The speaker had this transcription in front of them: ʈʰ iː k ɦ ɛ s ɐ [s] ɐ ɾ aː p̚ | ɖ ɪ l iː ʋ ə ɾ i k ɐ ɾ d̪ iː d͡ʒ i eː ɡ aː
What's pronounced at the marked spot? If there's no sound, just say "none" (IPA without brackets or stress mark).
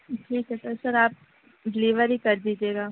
s